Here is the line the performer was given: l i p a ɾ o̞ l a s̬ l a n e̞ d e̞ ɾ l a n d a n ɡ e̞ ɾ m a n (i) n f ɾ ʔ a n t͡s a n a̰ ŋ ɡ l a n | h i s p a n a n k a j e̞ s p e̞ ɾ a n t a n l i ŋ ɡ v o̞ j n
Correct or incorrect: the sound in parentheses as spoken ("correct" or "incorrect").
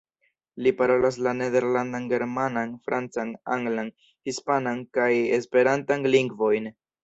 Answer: incorrect